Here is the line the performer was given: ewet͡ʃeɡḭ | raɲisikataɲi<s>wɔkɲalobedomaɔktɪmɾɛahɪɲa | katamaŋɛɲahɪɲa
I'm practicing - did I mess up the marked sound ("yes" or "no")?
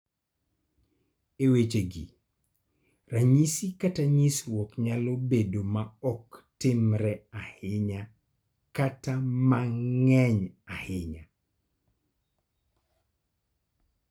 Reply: no